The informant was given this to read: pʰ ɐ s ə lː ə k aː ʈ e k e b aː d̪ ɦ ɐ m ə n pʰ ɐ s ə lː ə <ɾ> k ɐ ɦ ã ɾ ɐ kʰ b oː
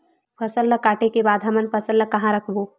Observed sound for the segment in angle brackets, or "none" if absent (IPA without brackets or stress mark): none